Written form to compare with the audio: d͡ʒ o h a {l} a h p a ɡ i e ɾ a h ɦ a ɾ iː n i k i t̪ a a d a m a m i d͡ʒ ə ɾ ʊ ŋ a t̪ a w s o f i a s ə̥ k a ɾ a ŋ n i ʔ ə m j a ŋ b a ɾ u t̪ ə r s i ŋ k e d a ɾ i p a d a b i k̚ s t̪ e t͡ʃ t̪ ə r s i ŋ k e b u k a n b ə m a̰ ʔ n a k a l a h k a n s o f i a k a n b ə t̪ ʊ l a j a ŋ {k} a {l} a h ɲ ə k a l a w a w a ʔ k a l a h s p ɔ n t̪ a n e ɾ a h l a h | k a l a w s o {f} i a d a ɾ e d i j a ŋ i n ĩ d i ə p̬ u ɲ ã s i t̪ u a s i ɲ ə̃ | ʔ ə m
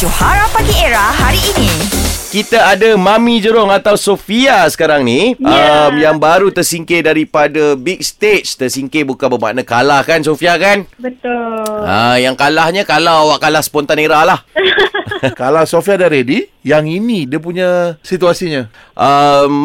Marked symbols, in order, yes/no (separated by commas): no, yes, yes, yes